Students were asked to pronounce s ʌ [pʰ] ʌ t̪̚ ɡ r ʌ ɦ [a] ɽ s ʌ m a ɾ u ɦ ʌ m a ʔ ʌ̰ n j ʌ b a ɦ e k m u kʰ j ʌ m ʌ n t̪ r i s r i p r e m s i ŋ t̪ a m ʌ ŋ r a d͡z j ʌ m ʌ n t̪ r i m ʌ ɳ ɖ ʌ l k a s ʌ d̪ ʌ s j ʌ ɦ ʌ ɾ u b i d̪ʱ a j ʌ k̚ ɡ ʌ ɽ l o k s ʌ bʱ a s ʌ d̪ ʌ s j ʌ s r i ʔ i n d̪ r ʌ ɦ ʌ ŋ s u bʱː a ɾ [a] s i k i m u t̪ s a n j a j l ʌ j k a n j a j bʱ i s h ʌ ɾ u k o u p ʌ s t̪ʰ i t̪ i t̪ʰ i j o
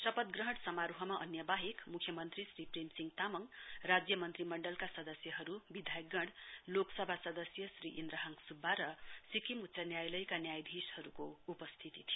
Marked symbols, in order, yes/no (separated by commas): no, no, no